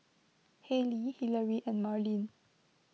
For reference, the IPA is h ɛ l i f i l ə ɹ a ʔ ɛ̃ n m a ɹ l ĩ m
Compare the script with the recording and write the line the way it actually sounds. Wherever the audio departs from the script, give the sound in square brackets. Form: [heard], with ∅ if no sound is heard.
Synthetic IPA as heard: h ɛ l i [h] i l ə ɹ [i] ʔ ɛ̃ n m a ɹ l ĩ [n]

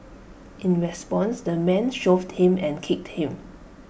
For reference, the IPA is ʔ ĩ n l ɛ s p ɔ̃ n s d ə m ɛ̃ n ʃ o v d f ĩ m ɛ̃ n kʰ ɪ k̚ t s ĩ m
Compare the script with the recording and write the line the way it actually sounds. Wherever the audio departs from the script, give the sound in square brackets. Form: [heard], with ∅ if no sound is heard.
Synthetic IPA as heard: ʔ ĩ n [ɹ] ɛ s p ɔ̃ n s d ə m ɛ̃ n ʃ o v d [h] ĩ m ɛ̃ n kʰ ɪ k̚ t [h] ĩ m

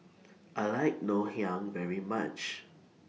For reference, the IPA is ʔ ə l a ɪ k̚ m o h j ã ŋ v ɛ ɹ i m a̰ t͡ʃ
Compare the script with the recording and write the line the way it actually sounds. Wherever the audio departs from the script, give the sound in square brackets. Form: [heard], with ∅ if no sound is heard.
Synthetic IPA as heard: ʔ [a] l a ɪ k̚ [n] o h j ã ŋ v ɛ ɹ i m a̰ t͡ʃ

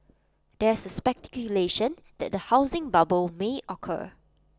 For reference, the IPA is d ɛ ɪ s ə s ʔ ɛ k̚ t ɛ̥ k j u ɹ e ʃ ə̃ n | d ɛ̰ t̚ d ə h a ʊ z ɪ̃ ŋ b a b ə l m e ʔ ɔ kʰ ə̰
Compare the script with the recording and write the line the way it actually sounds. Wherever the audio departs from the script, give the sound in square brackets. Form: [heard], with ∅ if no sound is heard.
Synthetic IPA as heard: d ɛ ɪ s ə s [p] ɛ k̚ t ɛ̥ k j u [l] e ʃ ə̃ n | d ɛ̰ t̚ d ə h a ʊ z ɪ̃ ŋ b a b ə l m e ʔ ɔ kʰ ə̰

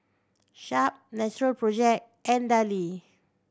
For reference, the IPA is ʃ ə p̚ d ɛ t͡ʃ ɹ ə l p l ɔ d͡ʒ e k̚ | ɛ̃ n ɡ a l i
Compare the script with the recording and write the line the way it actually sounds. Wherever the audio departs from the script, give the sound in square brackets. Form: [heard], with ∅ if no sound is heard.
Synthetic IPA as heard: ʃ [a] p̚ [n] ɛ t͡ʃ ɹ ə l p [ɹ] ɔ d͡ʒ [ɛ] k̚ | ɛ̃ n [d] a l i

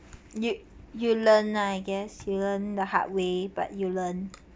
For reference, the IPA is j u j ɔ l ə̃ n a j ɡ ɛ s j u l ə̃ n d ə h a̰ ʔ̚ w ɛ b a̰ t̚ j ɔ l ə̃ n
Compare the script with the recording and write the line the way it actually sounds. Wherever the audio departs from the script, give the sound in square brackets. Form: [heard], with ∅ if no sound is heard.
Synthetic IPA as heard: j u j [u] l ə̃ n a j ɡ ɛ s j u l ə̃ n d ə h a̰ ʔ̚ w [e] b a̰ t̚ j [u] l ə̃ n

